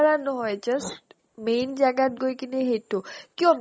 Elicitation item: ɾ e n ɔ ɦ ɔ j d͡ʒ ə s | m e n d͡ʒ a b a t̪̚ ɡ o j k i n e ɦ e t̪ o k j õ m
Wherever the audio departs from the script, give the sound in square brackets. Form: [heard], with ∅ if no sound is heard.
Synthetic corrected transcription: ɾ [a] n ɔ ɦ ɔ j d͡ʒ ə s | m e n d͡ʒ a [ɡ] a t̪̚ ɡ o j k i n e ɦ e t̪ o k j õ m